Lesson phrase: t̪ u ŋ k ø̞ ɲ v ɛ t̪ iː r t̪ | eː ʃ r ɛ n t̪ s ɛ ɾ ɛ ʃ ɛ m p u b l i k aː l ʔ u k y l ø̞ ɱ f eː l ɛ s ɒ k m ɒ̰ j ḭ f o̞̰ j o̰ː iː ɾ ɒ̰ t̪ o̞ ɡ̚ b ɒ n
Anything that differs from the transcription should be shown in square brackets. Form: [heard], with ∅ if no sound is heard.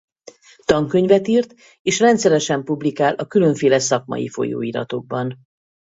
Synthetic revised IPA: t̪ [ɒ] ŋ k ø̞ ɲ v ɛ t̪ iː r t̪ | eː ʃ r ɛ n t̪ s ɛ ɾ ɛ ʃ ɛ m p u b l i k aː l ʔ [ɒ] k y l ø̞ ɱ f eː l ɛ s ɒ k m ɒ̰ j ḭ f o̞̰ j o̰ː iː ɾ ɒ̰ t̪ o̞ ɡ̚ b ɒ n